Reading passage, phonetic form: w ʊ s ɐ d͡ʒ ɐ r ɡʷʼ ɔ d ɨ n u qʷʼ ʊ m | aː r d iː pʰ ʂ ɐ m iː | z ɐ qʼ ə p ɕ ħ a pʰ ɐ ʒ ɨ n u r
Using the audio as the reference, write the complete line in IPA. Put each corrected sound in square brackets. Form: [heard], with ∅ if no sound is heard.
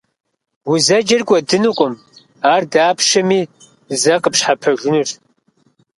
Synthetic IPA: w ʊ [z] ɐ d͡ʒ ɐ r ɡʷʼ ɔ d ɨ n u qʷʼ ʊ m | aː r d [aː] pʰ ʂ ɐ m iː | z ɐ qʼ ə p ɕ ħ a pʰ ɐ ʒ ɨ n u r